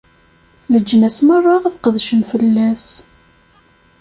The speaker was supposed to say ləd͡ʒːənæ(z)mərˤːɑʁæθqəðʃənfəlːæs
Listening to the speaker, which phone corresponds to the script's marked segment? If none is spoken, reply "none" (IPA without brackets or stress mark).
s